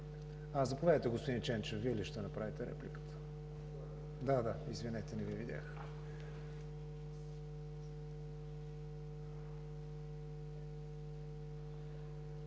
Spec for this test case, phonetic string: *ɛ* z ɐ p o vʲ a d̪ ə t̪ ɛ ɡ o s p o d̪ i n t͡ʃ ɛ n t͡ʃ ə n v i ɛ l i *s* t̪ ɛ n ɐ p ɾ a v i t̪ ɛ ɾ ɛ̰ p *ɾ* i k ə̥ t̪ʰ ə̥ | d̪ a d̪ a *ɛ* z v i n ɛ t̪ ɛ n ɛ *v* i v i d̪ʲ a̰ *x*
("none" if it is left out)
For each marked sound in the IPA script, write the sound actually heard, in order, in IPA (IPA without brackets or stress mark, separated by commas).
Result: a, ʃ, l, i, v, x